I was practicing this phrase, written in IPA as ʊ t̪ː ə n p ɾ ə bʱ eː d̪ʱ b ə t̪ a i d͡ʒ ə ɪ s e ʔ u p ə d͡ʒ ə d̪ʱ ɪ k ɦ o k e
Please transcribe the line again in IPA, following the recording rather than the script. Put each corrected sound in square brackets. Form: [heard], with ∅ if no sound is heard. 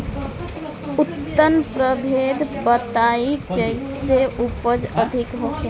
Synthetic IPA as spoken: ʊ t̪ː ə n p ɾ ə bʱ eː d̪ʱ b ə t̪ a i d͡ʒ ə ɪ s e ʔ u p ə d͡ʒ ə d̪ʱ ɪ k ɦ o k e